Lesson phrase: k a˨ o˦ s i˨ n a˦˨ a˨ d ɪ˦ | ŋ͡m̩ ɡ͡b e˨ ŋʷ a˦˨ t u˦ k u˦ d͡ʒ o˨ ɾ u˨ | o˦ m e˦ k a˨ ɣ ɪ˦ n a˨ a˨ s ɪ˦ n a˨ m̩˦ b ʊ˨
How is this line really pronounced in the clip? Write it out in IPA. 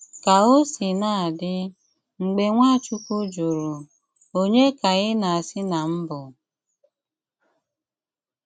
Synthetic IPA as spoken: k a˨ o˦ s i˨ n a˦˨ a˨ d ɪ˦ | ŋ͡m̩ ɡ͡b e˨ ŋʷ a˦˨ t͡ʃ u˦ k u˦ d͡ʒ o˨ ɾ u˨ | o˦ ɲ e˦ k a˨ ɣ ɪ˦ n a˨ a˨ s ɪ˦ n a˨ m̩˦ b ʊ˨